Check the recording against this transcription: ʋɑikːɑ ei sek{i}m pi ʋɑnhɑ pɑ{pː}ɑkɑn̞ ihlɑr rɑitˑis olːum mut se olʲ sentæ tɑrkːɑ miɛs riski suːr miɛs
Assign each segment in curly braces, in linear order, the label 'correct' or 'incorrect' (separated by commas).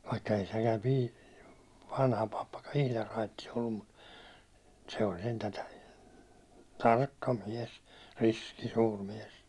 incorrect, correct